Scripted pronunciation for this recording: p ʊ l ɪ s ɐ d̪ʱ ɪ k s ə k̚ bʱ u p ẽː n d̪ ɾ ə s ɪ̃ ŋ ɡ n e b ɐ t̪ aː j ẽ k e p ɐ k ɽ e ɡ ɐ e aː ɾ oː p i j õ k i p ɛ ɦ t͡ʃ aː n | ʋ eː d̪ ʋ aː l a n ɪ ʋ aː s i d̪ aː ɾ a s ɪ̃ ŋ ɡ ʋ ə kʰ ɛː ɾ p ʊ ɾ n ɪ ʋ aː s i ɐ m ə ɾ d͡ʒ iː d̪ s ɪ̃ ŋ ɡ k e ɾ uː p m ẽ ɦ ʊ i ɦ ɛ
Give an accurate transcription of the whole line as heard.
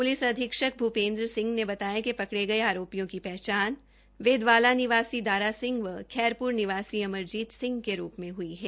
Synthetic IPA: p ʊ l ɪ s ɐ d̪ʱ ɪ k ʃ ə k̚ bʱ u p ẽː n d̪ ɾ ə s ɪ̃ ŋ ɡ n e b ɐ t̪ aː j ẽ k e p ɐ k ɽ e ɡ ɐ e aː ɾ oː p i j õ k i p ɛ ɦ t͡ʃ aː n | ʋ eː d̪ ʋ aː l a n ɪ ʋ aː s i d̪ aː ɾ a s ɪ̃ ŋ ɡ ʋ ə kʰ ɛː ɾ p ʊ ɾ n ɪ ʋ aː s i ɐ m ə ɾ d͡ʒ iː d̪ s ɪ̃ ŋ ɡ k e ɾ uː p m ẽ ɦ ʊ i ɦ ɛː